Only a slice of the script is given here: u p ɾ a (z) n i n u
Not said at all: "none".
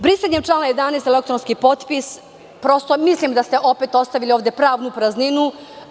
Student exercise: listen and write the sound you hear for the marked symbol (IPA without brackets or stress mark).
z